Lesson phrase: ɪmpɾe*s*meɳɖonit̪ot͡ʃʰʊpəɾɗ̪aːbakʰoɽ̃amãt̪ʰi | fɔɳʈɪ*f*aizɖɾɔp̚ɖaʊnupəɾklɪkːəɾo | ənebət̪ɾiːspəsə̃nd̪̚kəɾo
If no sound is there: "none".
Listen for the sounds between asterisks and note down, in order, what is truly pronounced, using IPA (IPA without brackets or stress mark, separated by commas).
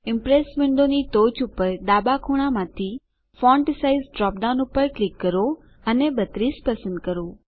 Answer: s, s